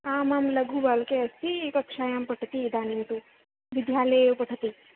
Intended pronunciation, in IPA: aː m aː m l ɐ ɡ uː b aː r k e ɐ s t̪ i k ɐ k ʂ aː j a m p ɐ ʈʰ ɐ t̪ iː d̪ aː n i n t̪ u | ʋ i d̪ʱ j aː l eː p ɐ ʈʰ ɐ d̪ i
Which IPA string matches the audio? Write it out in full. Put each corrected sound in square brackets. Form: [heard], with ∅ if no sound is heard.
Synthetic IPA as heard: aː m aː m l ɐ ɡ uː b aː [l] k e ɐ s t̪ i k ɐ k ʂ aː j a m p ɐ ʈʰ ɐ t̪ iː d̪ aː n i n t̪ u | ʋ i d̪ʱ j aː l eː p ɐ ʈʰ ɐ [t̪] i